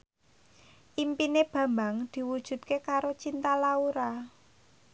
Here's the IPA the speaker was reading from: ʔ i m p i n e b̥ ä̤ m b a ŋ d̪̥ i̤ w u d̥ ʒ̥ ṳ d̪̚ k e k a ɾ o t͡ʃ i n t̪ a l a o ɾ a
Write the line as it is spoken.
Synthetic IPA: ʔ i m p i n e b̥ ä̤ m b a ŋ d̪̥ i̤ w u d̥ ʒ̥ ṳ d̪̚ k e k a ɾ o t͡ʃ i n t̪ a l a u ɾ a